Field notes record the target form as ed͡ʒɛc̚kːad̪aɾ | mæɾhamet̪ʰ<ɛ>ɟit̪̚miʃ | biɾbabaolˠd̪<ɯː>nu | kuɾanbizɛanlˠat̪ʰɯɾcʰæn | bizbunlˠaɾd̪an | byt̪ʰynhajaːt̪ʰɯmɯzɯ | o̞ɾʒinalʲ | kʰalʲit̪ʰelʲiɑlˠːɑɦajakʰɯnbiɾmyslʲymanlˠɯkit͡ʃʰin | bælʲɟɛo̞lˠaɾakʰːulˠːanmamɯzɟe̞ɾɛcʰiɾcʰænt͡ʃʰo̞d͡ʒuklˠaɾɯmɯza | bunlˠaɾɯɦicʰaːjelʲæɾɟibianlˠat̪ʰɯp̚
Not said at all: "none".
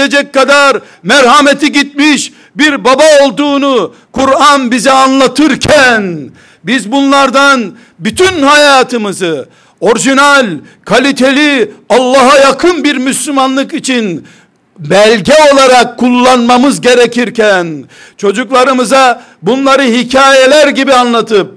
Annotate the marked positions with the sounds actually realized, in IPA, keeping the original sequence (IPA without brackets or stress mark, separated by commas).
i, uː